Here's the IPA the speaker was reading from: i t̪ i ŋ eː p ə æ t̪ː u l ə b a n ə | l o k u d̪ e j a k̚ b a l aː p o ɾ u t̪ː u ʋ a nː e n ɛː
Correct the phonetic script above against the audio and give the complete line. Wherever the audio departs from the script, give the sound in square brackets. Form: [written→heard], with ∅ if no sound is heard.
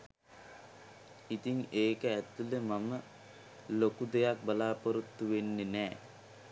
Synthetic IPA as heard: i t̪ i ŋ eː [p→k] ə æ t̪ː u l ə [b→m] a [n→m] ə | l o k u d̪ e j a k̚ b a l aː p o ɾ u t̪ː u ʋ [a→e] nː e n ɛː